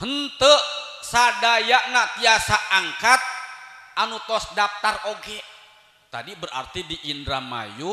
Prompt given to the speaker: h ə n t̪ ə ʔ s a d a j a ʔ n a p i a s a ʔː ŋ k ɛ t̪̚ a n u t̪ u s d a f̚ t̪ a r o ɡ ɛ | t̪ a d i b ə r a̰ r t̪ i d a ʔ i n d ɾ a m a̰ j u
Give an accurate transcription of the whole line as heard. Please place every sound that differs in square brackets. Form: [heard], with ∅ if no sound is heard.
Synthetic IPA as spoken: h ə n t̪ ə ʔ s a d a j a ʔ n a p i a s a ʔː ŋ k [a] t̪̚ a n u t̪ [ɔ] s d a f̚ t̪ a r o ɡ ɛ | t̪ a d i b ə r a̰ r t̪ i d [i] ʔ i n d ɾ a m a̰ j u